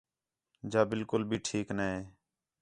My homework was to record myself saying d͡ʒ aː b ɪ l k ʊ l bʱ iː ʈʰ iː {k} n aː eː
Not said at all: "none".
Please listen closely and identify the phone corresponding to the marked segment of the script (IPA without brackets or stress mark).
k